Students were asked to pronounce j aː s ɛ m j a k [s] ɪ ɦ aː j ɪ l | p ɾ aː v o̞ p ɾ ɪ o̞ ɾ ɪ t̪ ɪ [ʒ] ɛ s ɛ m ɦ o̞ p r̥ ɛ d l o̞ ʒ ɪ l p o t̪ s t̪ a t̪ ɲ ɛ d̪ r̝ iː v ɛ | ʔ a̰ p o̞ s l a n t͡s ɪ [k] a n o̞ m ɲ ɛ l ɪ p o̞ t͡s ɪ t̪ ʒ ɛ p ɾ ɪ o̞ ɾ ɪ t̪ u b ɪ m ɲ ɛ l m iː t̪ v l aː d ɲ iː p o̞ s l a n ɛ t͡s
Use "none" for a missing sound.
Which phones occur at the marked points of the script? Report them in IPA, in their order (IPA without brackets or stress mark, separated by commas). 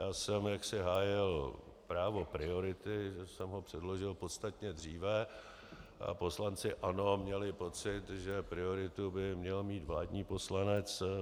s, ʒ, ʔ